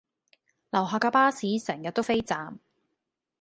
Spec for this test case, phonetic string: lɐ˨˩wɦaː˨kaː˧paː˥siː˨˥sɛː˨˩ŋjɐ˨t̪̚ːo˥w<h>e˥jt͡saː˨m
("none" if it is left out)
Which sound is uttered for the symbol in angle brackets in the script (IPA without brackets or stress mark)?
f